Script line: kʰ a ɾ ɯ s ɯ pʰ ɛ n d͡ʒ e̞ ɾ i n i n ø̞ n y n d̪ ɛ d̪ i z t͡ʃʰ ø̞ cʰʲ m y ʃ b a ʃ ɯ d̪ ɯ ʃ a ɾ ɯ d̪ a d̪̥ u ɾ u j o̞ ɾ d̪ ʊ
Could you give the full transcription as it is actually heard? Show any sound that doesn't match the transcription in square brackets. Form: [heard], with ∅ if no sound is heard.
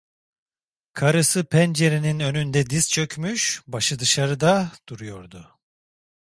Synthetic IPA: kʰ a ɾ ɯ s ɯ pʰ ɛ n d͡ʒ e̞ ɾ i n i n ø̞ n y n d̪ ɛ d̪ i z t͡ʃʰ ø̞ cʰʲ m y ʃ b a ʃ ɯ d̪ ɯ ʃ a ɾ ɯ d̪ a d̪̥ u ɾ u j o̞ ɾ d̪ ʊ